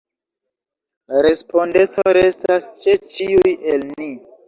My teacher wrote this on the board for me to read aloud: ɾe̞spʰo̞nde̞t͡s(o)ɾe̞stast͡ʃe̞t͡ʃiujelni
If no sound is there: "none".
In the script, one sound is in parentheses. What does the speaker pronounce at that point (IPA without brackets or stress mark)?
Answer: o